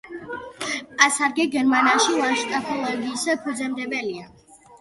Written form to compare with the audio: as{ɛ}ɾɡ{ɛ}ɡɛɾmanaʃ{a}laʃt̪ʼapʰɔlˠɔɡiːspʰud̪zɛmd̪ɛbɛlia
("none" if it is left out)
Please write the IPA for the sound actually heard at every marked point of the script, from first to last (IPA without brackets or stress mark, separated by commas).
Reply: a, ɛ, i